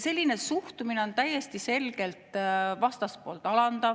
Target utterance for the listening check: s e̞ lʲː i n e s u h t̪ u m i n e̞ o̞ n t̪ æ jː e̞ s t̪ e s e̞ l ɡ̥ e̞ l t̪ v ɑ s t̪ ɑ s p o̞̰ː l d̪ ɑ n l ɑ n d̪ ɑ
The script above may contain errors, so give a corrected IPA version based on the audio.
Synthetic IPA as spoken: s e̞ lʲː i n e s u h t̪ u m i n e̞ o̞ n t̪ æ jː e̞ s t̪ i s e̞ l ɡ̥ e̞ l t̪ v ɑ s t̪ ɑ s p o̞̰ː l t̪ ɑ l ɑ n d̪ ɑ